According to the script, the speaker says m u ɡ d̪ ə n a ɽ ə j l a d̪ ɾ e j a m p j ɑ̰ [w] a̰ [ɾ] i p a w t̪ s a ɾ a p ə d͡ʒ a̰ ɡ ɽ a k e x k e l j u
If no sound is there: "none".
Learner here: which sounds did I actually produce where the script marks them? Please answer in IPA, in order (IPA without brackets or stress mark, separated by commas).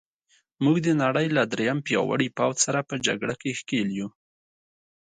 w, ɽ